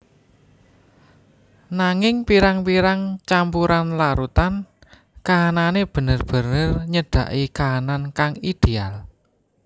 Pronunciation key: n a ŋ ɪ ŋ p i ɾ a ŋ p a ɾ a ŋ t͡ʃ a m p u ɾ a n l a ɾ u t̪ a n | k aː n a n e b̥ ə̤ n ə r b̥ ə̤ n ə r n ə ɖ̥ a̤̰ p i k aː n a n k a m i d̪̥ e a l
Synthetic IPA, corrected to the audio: n a ŋ ɪ ŋ p i ɾ a ŋ p i ɾ a ŋ t͡ʃ a m p u ɾ a n l a ɾ u t̪ a n | k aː n a n e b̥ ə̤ n ə r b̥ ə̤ n ə r ɲ ə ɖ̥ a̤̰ ʔ i k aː n a n k a ŋ i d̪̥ e a l